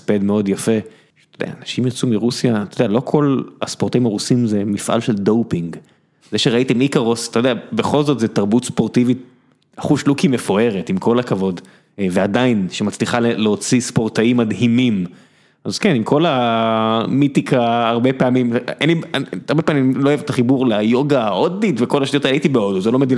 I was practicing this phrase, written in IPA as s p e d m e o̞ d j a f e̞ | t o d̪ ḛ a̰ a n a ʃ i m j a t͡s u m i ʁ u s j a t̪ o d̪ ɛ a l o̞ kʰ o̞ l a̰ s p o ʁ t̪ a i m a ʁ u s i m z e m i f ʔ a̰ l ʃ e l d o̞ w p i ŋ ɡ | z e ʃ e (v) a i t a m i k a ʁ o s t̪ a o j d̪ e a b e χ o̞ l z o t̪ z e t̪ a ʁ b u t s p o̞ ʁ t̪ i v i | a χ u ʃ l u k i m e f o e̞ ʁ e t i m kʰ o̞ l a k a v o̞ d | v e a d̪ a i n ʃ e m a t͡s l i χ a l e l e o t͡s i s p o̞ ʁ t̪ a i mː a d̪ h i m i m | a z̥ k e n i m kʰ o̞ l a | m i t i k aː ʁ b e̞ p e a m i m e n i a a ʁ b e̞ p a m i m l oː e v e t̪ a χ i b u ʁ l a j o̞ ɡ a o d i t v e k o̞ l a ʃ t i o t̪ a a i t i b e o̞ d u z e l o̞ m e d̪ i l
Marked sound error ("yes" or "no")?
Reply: yes